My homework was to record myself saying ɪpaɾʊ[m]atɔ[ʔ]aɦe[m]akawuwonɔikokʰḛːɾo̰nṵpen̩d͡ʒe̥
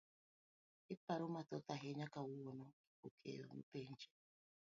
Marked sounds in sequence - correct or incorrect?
correct, incorrect: t, incorrect: ɲ

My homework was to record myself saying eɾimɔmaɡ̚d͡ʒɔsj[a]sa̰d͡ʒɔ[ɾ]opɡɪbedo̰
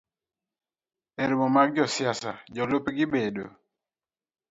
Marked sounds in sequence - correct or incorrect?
correct, incorrect: l

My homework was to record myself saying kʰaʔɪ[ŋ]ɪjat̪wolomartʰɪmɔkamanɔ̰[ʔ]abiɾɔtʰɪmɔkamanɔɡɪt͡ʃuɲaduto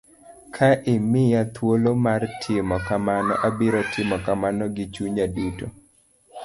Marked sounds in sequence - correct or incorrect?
incorrect: m, correct

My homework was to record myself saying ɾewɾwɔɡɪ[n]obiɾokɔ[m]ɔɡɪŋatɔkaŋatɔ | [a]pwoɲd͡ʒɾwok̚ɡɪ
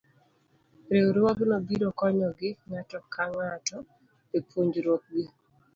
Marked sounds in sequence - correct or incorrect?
correct, incorrect: ɲ, incorrect: e

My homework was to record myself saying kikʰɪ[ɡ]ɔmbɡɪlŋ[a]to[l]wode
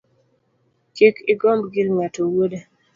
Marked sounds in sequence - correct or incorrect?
correct, correct, incorrect: none

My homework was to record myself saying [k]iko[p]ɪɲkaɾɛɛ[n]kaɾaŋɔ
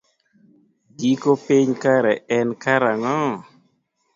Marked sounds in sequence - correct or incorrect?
incorrect: ɡ, correct, correct

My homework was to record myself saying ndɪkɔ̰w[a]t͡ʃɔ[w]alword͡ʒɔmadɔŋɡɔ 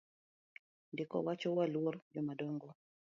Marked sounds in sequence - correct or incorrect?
correct, correct

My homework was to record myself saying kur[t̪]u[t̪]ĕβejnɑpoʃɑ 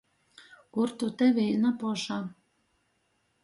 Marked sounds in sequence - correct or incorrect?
correct, correct

